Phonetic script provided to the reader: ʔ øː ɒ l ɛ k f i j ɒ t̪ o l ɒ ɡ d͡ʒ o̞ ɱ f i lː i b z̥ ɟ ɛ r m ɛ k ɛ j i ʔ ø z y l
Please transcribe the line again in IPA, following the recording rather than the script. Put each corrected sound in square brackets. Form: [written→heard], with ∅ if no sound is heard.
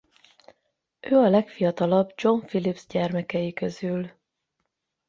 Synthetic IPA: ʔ øː ɒ l ɛ k f i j ɒ t̪ [o→ɒ] l ɒ [ɡ→b] d͡ʒ o̞ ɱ f i [lː→l] i b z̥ ɟ ɛ r m ɛ k ɛ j i [ʔ→k] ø z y l